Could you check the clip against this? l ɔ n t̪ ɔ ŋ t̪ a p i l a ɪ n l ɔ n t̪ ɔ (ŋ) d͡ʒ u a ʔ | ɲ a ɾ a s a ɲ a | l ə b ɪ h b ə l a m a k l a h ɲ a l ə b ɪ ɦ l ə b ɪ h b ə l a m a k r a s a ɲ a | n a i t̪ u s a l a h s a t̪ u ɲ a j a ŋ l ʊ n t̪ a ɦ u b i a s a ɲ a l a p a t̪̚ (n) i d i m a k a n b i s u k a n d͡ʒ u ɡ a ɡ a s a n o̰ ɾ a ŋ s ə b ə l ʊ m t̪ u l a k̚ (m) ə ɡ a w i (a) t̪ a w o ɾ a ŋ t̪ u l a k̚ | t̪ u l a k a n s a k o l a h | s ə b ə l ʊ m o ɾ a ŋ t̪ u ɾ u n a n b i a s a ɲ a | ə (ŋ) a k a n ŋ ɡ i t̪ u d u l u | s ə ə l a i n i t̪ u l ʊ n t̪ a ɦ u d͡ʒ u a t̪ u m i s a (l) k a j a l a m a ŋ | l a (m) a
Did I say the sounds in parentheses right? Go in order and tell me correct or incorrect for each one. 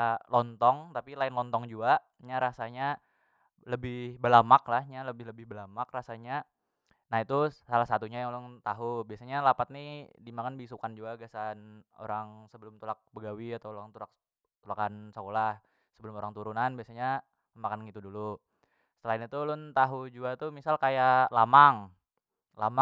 correct, correct, incorrect: b, correct, incorrect: m, correct, correct

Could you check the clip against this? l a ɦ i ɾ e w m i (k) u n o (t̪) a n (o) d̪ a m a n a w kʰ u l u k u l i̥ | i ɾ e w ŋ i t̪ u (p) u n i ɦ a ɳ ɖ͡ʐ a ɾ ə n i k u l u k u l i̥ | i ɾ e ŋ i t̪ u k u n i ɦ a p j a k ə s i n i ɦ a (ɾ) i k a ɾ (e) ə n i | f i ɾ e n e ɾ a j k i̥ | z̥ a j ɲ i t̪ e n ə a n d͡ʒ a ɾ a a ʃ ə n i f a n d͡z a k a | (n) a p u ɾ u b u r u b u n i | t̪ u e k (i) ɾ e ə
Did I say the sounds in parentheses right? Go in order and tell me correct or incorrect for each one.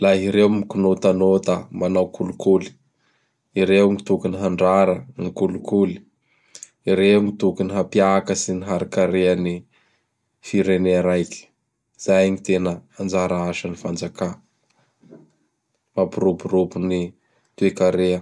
correct, correct, correct, incorrect: k, correct, correct, incorrect: m, incorrect: a

